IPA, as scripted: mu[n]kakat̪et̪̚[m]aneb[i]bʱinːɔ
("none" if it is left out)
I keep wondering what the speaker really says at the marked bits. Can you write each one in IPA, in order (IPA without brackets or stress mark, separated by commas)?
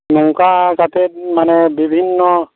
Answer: ŋ, m, i